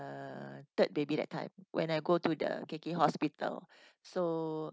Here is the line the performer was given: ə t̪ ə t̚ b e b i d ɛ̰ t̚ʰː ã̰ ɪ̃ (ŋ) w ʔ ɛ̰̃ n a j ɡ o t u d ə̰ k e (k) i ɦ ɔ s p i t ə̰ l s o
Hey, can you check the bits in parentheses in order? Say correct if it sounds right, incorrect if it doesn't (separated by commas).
incorrect, correct